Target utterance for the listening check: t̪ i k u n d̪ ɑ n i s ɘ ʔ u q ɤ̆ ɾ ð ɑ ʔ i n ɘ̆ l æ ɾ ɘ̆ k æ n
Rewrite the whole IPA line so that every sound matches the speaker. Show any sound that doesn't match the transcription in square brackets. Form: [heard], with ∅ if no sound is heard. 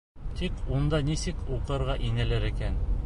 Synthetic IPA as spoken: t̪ i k u n d̪ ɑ n i s ɘ [k] u q ɤ̆ ɾ [ʁ] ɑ ʔ i n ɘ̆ l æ ɾ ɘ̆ k æ n

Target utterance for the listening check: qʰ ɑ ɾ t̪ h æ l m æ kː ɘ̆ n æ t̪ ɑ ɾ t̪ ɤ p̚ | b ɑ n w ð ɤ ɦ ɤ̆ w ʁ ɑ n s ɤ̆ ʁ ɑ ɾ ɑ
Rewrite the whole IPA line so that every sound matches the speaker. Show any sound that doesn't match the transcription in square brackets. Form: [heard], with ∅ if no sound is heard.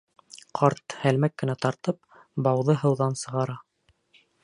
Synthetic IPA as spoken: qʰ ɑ ɾ t̪ h æ l m æ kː ɘ̆ n æ t̪ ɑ ɾ t̪ ɤ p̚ | b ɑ [∅] w ð ɤ ɦ ɤ̆ w [ð] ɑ n s ɤ̆ ʁ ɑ ɾ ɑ

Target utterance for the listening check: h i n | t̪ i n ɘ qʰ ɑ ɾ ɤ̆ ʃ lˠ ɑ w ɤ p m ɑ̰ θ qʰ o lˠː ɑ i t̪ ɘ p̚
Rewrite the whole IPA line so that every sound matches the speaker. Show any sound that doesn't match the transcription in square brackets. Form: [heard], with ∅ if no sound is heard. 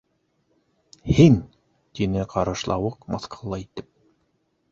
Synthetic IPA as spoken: h i n | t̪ i n ɘ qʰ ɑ ɾ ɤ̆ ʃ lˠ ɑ w ɤ [q] m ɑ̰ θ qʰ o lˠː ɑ i t̪ ɘ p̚

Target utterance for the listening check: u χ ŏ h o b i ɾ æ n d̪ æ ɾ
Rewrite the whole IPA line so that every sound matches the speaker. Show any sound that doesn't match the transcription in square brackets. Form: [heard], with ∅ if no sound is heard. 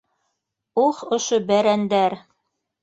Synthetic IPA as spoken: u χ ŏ [ʃ] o b [æ] ɾ æ n d̪ æ ɾ

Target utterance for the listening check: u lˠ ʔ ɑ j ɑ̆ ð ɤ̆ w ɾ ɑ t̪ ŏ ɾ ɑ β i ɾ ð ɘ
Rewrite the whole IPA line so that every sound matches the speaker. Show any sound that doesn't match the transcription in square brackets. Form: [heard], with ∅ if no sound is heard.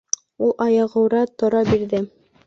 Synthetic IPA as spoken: u lˠ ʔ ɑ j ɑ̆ [ʁ] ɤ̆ w ɾ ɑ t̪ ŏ ɾ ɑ [b] i ɾ ð ɘ

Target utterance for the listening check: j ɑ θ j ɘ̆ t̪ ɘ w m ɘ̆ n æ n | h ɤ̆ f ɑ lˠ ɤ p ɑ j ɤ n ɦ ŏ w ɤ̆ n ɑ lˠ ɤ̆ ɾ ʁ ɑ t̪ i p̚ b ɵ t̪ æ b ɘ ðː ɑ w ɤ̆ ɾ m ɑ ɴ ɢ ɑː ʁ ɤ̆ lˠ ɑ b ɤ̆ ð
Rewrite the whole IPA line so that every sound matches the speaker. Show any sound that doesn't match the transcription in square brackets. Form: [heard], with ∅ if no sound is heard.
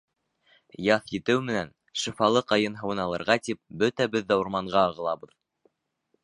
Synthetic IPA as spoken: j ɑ θ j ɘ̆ t̪ ɘ w m ɘ̆ n æ n | [ʃ] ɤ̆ f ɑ lˠ ɤ [q] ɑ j ɤ n ɦ [ɤ̆] w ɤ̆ n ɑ lˠ ɤ̆ ɾ ʁ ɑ t̪ i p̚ b ɵ t̪ æ b ɘ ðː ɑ w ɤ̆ ɾ m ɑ ɴ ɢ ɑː ʁ ɤ̆ lˠ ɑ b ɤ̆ ð

